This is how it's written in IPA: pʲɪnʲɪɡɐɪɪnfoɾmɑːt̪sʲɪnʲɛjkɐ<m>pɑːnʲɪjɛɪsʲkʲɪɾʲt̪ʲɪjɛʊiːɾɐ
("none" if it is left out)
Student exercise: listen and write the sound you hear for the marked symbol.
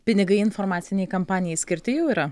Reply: m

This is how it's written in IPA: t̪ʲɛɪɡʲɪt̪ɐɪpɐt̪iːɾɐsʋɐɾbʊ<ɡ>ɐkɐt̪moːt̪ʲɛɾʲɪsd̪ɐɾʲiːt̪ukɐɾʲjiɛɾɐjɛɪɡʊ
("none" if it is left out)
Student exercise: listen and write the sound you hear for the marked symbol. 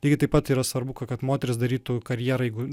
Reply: k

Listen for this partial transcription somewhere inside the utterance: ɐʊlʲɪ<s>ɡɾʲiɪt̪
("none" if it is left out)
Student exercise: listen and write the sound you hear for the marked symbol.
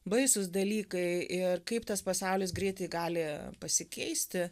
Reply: s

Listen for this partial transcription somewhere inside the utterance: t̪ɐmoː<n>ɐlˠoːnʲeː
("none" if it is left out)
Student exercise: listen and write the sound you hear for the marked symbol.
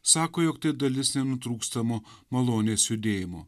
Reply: m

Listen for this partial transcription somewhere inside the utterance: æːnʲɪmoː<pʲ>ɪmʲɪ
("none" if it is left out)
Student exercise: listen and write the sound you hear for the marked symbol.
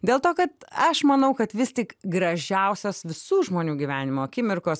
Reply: kʲ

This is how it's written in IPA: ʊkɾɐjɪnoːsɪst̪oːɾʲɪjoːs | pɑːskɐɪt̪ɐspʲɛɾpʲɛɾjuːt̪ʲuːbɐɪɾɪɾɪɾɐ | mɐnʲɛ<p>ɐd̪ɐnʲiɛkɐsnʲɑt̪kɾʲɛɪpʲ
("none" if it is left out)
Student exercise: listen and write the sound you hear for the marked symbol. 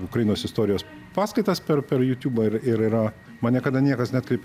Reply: k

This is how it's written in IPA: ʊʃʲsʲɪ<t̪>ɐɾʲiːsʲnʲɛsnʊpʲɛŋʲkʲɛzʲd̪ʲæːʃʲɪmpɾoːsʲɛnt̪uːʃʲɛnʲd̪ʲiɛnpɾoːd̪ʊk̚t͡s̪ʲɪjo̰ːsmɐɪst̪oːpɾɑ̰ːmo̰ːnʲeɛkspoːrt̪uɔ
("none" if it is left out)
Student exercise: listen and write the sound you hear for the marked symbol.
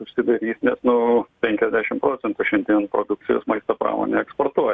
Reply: d̪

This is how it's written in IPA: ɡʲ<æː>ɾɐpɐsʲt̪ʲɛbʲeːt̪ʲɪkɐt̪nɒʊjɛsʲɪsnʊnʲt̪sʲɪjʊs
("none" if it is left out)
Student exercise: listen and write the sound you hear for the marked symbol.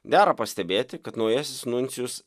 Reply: æː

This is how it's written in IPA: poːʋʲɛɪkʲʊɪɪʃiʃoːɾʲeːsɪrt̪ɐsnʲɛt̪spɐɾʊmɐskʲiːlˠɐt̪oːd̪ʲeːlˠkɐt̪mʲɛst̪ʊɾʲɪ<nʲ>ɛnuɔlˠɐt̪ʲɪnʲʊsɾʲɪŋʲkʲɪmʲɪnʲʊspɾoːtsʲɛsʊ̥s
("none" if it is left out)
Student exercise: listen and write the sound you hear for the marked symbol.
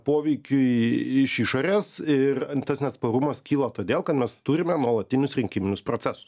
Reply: mʲ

